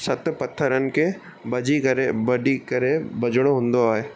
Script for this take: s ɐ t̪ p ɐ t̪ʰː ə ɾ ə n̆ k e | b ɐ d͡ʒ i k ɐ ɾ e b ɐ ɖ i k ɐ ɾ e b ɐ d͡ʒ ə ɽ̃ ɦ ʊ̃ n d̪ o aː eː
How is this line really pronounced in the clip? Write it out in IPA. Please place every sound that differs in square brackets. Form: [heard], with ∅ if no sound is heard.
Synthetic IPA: s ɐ t̪ p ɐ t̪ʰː ə ɾ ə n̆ k e | b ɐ d͡ʒ i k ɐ ɾ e b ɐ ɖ i k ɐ ɾ e b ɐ d͡ʒ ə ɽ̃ ɦ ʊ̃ n d̪ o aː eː